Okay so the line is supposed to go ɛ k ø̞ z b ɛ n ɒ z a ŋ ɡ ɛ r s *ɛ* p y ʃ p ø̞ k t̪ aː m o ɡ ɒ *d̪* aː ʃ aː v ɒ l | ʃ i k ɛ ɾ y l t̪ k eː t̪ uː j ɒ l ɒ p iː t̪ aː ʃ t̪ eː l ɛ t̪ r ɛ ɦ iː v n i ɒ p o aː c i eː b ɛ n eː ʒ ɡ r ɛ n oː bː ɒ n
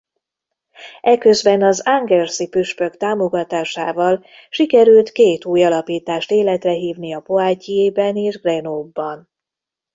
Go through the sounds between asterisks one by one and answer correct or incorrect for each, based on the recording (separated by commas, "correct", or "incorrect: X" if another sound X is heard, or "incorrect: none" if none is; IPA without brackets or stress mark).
incorrect: i, incorrect: t̪